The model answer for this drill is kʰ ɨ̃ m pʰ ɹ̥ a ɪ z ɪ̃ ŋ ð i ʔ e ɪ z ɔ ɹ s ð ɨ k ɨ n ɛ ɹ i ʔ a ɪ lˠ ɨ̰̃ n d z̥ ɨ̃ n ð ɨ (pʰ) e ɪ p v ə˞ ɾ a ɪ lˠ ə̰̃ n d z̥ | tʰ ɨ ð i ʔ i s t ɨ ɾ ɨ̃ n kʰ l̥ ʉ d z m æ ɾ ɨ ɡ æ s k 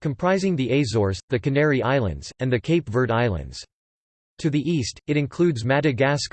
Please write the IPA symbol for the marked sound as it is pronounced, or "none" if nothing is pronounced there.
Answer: kʰ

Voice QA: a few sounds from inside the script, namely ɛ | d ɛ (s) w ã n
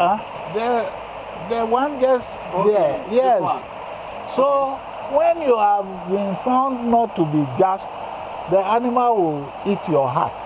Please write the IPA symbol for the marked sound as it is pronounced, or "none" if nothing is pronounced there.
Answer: none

